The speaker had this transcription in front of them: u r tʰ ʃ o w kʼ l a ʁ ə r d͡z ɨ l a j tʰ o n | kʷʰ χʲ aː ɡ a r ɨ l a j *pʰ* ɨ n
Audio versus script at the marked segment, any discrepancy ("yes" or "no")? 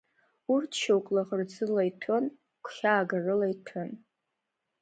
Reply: yes